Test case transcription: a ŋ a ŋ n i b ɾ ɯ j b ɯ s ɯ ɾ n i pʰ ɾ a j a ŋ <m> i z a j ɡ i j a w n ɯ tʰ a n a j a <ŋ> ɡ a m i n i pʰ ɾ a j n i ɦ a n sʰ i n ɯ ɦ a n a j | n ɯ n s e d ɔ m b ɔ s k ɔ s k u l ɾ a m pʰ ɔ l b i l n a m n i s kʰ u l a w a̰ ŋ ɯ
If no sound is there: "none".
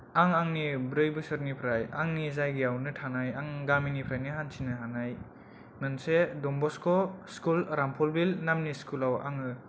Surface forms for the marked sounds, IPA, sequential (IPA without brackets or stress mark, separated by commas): n, ŋ